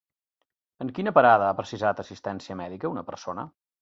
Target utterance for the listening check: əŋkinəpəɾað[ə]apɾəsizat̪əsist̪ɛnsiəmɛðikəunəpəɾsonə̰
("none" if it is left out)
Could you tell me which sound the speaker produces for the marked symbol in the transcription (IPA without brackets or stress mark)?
ə